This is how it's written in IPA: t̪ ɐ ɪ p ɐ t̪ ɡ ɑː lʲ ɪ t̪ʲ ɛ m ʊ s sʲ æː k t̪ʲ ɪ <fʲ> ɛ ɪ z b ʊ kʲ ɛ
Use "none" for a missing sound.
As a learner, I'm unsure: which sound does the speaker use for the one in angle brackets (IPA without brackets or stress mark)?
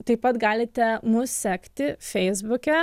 fʲ